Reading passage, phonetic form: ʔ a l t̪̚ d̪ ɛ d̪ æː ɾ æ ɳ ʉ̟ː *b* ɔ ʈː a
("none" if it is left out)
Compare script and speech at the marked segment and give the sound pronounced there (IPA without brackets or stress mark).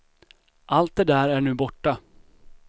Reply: b